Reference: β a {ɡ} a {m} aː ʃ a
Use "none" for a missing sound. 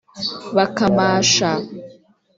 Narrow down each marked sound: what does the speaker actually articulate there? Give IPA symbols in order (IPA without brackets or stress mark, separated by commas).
k, m